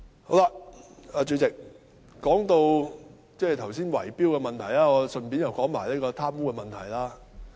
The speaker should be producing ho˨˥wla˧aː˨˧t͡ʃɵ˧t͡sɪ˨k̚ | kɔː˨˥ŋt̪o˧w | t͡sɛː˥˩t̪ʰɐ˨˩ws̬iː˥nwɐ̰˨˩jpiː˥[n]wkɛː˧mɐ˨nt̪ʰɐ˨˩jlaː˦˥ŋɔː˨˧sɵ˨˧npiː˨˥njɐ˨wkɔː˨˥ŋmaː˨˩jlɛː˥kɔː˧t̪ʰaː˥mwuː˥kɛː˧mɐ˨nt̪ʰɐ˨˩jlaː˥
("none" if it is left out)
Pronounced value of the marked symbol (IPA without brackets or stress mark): none